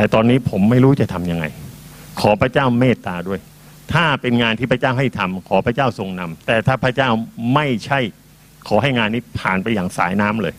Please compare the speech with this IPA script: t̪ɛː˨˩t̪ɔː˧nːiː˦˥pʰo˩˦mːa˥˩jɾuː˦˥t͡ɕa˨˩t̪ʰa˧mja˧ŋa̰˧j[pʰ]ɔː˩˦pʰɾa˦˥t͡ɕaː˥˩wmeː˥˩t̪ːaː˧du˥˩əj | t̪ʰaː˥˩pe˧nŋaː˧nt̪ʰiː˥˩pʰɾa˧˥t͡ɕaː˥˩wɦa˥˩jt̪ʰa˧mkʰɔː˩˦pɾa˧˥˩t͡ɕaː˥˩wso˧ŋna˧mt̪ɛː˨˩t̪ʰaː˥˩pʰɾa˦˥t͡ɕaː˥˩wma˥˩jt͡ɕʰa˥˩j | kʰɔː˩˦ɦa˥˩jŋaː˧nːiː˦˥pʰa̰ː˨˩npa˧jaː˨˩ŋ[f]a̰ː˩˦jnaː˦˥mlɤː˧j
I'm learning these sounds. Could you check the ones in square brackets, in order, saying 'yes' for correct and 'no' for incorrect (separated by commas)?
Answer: no, no